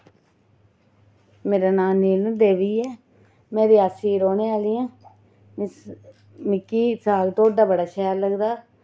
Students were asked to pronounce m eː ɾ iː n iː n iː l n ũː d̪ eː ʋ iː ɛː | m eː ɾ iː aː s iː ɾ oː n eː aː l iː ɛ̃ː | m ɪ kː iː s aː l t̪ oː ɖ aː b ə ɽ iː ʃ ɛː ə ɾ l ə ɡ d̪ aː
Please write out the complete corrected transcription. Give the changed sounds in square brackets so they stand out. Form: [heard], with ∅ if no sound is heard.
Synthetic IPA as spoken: m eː ɾ [aː] n [aː] n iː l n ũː d̪ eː ʋ iː ɛː | m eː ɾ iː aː s iː ɾ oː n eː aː l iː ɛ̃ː | m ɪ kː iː s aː l t̪ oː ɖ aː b ə ɽ [aː] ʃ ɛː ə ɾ l ə ɡ d̪ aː